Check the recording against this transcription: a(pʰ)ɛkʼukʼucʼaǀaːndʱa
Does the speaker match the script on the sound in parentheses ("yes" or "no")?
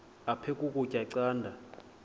yes